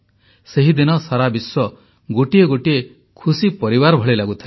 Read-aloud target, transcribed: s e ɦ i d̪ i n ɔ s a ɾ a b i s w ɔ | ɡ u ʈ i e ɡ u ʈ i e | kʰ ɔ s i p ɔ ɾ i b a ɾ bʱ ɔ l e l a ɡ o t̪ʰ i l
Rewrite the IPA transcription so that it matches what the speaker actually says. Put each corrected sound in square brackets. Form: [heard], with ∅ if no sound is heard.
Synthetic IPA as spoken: s e ɦ i d̪ i n ɔ s a ɾ a b i s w ɔ | ɡ [o] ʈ i e ɡ [o] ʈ i e | kʰ [u] s i p ɔ ɾ i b a ɾ bʱ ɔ [ɭ] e l a ɡ [u] t̪ʰ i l